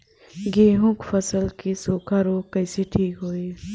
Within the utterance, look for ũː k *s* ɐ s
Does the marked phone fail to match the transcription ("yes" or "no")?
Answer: yes